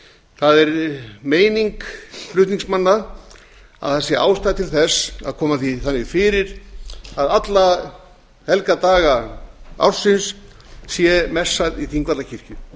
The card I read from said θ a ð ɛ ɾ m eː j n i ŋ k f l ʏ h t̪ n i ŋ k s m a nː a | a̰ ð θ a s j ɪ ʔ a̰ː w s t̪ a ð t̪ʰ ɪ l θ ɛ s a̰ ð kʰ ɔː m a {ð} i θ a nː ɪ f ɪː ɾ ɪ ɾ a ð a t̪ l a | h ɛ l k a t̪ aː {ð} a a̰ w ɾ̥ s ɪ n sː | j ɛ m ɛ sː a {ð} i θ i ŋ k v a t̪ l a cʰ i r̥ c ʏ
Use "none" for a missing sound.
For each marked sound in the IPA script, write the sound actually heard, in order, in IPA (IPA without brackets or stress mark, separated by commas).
θ, ɣ, ð